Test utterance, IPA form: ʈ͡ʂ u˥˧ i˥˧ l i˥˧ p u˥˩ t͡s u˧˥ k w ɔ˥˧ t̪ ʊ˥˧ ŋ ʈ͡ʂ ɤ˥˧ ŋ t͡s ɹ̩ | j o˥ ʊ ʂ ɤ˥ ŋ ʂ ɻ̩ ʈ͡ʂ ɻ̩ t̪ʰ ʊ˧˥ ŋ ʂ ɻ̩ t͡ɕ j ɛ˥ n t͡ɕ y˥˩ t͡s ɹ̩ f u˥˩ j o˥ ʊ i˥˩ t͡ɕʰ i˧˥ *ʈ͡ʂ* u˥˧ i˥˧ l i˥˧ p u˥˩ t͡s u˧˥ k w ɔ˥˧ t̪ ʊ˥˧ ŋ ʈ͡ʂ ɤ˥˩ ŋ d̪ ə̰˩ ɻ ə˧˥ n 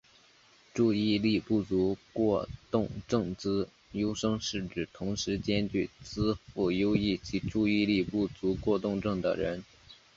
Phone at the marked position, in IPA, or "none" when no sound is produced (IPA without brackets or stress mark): ʈ͡ʂ